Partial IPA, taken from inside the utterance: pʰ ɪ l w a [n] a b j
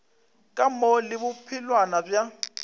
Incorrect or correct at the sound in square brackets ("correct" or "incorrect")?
correct